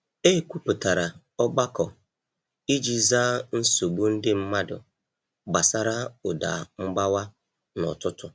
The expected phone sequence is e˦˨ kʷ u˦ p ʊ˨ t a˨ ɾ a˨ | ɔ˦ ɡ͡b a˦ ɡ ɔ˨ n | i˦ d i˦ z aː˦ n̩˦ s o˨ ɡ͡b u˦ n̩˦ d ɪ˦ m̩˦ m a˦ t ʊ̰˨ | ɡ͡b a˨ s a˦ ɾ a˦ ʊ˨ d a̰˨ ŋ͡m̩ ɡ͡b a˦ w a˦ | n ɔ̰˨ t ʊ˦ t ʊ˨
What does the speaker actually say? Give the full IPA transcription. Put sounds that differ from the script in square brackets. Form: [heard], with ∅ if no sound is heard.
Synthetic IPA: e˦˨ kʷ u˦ p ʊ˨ t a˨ ɾ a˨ | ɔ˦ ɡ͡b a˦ [k] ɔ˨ [∅] | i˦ [d͡ʒ] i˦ z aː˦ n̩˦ s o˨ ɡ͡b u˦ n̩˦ d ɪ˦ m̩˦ m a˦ [d] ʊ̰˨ | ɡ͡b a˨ s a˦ ɾ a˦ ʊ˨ d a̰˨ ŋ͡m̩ ɡ͡b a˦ w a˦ | n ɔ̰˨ t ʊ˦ t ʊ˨